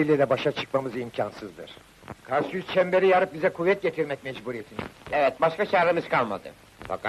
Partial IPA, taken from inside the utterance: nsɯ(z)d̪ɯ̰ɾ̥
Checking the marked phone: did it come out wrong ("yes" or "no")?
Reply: no